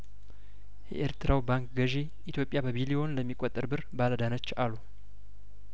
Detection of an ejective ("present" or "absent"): present